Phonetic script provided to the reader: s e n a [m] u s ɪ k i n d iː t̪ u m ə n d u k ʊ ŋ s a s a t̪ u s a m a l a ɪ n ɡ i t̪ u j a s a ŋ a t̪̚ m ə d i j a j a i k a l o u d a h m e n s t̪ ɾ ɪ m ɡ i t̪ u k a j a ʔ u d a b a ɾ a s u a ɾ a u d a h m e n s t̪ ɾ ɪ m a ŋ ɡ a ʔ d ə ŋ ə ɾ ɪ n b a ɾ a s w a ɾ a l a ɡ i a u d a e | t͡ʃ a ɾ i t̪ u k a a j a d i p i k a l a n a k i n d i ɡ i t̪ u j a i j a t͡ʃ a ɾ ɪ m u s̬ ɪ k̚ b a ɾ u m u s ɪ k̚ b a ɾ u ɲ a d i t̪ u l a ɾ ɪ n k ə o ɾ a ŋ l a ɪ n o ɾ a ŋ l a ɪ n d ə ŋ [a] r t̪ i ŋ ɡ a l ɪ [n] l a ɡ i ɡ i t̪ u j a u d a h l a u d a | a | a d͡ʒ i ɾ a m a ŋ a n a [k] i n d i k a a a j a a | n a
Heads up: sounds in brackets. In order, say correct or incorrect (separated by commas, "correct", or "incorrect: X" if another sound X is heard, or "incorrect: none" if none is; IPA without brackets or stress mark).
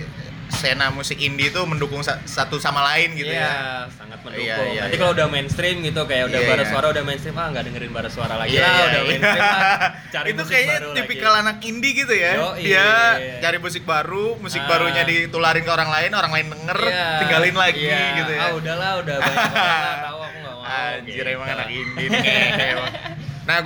correct, incorrect: ə, correct, correct